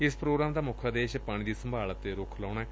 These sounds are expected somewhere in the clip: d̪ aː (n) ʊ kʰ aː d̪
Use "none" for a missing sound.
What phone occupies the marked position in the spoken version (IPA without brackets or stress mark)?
m